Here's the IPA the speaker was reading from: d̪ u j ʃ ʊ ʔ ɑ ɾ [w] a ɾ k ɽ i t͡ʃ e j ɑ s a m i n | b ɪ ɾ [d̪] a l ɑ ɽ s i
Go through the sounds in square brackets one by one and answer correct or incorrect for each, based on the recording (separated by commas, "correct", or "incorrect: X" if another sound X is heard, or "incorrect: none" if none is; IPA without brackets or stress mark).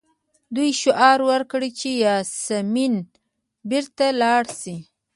correct, incorrect: t̪